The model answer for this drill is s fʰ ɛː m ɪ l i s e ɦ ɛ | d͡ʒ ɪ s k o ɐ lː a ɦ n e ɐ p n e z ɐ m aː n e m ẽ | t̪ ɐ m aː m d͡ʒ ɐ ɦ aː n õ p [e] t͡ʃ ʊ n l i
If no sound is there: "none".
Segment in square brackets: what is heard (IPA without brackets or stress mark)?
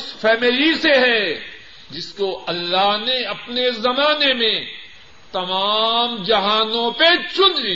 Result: e